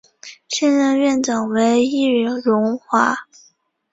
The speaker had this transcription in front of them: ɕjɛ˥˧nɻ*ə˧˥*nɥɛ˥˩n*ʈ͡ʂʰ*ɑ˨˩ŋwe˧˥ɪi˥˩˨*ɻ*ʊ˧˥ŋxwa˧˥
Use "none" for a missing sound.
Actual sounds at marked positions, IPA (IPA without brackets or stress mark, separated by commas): ə˥˧, ʈ͡ʂ, ɻ